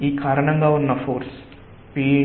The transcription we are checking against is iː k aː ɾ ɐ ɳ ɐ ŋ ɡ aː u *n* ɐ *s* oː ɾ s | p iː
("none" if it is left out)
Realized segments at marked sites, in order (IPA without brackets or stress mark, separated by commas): nː, f